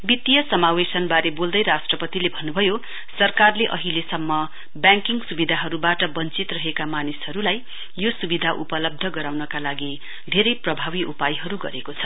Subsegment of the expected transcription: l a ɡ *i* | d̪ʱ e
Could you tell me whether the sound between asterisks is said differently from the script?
no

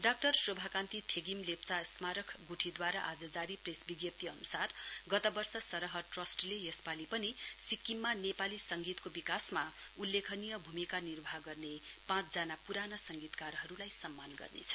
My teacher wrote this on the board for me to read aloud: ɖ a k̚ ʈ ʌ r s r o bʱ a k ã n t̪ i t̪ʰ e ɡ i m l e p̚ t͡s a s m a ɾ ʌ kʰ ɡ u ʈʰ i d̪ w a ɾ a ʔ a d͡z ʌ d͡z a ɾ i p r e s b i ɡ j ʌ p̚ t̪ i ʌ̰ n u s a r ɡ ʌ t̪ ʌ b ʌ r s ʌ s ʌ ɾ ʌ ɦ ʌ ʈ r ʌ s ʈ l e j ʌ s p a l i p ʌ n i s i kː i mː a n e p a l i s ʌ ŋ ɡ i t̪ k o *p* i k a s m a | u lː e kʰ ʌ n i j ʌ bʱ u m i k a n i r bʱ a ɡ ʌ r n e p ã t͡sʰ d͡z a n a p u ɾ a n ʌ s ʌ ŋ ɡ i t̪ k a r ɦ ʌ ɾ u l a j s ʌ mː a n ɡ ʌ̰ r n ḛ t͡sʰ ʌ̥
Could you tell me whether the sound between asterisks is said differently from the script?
yes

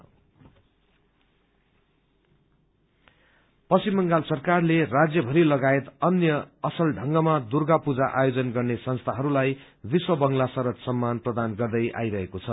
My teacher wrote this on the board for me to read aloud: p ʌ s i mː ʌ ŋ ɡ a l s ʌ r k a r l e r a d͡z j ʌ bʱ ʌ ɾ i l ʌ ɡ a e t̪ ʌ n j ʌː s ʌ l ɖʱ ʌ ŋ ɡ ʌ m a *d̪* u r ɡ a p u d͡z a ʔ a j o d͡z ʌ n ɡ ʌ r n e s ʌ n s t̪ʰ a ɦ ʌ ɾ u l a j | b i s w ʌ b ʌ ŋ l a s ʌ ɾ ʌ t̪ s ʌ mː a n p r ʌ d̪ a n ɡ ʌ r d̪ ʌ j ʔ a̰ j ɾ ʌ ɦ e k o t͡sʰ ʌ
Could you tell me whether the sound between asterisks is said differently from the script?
no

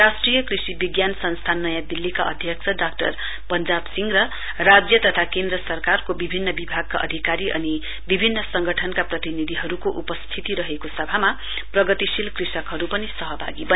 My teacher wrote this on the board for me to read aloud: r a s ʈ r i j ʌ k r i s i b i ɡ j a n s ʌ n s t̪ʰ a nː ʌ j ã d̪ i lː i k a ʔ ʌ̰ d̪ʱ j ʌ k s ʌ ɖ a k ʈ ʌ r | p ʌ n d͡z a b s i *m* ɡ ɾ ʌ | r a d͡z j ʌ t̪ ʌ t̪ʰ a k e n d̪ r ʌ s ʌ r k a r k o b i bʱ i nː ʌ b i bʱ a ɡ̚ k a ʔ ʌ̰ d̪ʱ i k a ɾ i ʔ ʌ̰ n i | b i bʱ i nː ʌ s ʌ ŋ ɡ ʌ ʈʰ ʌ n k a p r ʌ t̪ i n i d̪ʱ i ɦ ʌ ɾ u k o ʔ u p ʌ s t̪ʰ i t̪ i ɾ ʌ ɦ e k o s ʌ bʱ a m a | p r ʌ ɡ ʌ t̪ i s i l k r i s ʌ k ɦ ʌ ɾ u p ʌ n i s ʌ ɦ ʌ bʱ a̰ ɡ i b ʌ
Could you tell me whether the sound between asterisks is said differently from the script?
yes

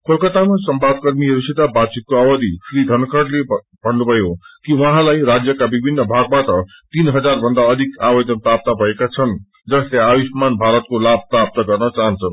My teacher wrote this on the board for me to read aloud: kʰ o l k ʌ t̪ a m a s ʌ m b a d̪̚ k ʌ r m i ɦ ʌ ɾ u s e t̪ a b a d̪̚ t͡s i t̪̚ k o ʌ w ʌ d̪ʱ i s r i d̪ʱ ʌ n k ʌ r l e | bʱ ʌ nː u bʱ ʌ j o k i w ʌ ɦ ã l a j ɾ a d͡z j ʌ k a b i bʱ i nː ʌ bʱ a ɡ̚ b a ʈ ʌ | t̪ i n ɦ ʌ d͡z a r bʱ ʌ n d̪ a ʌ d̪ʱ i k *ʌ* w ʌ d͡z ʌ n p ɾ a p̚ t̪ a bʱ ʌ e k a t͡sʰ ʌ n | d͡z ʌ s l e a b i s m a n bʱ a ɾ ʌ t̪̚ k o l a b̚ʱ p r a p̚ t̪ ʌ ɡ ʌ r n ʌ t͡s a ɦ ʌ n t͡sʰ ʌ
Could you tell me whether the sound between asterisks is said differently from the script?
yes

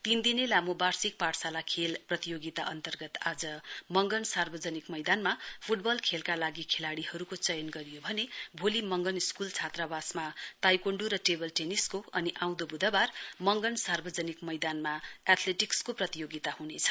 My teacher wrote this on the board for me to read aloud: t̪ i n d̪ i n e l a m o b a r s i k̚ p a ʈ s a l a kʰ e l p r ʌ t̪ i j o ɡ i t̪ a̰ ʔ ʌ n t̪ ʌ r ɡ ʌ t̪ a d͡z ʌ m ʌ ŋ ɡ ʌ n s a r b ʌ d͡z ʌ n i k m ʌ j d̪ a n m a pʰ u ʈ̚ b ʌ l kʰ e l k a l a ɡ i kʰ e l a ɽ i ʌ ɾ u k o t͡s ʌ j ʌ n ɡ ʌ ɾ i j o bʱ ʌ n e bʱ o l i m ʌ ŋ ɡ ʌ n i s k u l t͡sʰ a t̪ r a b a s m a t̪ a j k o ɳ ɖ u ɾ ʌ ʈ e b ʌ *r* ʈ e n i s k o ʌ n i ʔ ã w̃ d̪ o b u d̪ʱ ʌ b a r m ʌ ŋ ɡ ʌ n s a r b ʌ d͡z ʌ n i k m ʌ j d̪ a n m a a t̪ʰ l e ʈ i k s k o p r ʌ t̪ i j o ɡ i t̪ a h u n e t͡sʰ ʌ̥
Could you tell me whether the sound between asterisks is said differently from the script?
yes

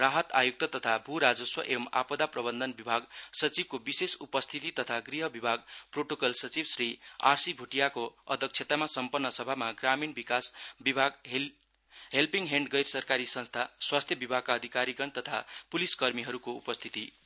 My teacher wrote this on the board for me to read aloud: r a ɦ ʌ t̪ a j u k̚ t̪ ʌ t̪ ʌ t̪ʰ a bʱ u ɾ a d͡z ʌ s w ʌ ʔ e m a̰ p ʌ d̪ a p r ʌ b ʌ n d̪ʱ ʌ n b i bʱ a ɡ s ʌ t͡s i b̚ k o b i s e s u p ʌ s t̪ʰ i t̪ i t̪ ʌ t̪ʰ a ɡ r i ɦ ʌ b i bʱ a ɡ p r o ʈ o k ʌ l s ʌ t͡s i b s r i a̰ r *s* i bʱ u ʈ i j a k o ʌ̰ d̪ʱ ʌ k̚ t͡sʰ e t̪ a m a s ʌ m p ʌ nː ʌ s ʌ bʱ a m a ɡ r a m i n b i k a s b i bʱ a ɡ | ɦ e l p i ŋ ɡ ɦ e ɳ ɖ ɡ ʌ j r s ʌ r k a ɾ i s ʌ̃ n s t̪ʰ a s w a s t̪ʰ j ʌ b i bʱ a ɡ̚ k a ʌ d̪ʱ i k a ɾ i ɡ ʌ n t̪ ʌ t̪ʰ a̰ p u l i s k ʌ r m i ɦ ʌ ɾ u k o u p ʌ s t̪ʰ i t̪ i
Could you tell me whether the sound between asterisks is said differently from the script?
no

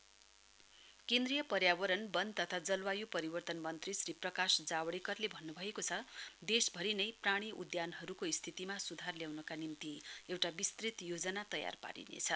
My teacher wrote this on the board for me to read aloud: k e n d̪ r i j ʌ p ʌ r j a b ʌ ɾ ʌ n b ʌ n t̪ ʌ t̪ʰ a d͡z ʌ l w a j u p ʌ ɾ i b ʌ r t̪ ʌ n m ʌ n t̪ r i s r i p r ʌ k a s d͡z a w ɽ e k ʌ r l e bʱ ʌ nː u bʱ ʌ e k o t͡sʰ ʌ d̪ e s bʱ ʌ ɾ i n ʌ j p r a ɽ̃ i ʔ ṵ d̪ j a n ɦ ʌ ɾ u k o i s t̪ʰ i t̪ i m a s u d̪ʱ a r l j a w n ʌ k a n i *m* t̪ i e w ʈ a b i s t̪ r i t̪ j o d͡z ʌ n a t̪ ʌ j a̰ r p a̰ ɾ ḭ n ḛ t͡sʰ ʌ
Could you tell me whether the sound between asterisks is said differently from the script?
no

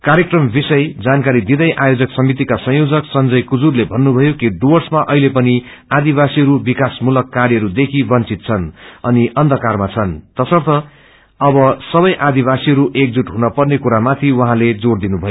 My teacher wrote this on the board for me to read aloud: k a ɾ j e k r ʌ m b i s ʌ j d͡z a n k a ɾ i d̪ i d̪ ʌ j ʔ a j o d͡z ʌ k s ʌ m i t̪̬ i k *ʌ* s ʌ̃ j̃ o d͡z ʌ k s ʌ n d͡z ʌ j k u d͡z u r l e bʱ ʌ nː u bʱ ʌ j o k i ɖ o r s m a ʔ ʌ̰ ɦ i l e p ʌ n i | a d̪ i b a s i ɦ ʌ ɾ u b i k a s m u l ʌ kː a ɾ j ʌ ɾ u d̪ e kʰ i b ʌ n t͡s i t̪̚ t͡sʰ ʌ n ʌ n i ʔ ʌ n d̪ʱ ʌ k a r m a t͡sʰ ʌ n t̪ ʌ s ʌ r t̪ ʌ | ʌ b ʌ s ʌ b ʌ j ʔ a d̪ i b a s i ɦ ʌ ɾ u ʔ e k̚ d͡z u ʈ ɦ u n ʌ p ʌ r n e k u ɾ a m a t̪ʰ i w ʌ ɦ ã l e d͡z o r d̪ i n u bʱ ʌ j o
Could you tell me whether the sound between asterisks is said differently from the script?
yes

